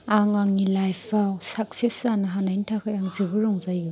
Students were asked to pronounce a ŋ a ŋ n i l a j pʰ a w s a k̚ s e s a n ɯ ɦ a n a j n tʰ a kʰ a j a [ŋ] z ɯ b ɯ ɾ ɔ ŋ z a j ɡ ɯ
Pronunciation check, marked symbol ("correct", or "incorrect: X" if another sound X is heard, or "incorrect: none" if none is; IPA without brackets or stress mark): correct